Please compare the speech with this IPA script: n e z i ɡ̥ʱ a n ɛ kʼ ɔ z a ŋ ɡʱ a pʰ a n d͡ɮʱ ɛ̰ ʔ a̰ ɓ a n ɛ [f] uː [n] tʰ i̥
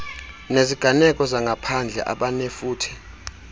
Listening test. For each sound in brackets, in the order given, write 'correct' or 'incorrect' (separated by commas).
correct, incorrect